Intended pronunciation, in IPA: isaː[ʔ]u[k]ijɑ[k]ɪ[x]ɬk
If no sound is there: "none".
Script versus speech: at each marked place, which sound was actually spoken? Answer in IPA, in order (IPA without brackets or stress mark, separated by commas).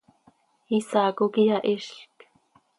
k, k, ʔ, ʃ